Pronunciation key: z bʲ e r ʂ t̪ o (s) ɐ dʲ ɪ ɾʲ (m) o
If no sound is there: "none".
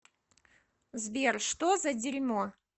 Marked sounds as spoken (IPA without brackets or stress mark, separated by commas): z, m